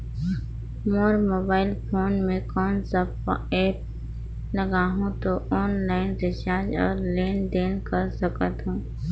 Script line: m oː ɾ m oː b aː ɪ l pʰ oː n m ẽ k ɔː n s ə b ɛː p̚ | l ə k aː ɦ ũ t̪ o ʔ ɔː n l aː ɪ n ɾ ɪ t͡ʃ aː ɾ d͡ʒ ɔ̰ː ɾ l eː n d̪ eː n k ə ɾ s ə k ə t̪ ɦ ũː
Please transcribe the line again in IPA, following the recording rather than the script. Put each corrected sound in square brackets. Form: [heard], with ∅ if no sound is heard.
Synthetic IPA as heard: m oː ɾ m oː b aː ɪ l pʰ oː n m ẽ k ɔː n s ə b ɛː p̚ | l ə [ɡ] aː ɦ ũ t̪ o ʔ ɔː n l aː ɪ n ɾ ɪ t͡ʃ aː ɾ d͡ʒ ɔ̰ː ɾ l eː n d̪ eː n k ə ɾ s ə k ə t̪ ɦ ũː